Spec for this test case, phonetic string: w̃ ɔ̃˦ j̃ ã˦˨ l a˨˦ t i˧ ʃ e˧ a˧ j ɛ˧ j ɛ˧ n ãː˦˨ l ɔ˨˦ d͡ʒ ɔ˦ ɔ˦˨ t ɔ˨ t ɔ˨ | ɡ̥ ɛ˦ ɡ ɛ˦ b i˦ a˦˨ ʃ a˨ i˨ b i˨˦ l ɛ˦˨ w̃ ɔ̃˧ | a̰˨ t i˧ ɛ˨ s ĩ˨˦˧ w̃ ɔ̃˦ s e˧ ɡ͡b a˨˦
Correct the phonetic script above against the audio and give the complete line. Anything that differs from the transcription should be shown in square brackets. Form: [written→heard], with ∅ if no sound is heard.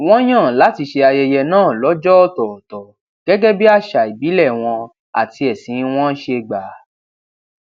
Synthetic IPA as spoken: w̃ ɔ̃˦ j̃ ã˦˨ l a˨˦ t i˧ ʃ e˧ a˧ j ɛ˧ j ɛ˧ n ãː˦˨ l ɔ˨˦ d͡ʒ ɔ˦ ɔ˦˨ t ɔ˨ t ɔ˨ | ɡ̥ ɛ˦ ɡ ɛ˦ b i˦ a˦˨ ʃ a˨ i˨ b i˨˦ l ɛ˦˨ w̃ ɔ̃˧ | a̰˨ t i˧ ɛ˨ s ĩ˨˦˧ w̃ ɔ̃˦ [s→ʃ] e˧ ɡ͡b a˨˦